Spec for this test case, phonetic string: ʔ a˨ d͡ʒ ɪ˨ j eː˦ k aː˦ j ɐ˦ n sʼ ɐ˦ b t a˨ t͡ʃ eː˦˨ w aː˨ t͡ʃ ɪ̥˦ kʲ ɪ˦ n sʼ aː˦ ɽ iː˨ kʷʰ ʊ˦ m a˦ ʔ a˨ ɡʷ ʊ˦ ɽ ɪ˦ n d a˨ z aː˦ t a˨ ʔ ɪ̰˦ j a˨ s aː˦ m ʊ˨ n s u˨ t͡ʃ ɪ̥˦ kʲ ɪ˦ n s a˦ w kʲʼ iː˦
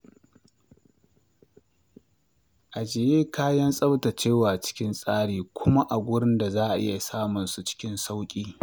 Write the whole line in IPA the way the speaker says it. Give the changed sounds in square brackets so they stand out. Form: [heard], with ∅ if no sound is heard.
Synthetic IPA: ʔ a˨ d͡ʒ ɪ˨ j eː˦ k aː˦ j ɐ˦ n sʼ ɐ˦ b t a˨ t͡ʃ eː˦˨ w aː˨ t͡ʃ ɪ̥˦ kʲ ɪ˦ n sʼ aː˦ ɽ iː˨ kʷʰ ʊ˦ m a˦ ʔ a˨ ɡʷ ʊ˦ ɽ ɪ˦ n d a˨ z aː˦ [ʔ] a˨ ʔ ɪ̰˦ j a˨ s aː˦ m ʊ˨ n s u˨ t͡ʃ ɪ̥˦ kʲ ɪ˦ n s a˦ w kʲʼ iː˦

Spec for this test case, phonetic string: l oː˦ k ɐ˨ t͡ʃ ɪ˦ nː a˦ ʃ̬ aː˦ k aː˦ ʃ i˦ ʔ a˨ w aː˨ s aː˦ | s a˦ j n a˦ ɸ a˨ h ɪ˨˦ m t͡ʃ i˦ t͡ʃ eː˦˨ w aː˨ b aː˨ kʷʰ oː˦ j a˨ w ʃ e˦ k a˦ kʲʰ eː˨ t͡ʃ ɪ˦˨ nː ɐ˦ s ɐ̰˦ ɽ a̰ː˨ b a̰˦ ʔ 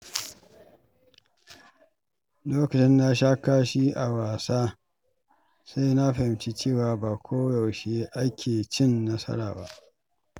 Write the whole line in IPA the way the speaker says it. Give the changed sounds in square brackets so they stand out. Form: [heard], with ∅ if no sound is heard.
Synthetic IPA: l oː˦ k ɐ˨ t͡ʃ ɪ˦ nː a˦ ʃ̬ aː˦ k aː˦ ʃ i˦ ʔ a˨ w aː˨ s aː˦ | s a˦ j n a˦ ɸ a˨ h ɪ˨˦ m t͡ʃ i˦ t͡ʃ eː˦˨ w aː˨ b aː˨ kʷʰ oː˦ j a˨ w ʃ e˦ [ʔ] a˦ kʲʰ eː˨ t͡ʃ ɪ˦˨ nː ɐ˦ s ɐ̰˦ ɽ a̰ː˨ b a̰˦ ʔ

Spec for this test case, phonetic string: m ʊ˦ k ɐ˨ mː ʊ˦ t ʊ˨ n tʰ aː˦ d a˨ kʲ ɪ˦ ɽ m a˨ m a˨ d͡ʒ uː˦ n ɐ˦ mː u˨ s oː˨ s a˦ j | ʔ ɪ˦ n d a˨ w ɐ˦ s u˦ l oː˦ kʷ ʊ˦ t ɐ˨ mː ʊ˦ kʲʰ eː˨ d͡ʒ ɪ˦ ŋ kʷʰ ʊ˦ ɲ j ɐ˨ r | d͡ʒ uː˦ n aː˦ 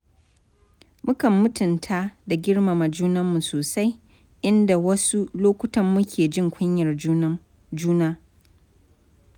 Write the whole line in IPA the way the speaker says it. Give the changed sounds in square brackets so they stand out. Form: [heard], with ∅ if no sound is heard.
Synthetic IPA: m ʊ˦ k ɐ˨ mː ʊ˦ t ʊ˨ n tʰ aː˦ d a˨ [ɡʲ] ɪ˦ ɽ m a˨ m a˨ d͡ʒ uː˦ n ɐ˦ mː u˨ s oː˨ s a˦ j | ʔ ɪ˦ n d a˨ w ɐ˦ s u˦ l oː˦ kʷ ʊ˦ t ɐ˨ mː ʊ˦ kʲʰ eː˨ d͡ʒ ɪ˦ ŋ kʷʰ ʊ˦ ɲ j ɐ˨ r | d͡ʒ uː˦ n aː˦

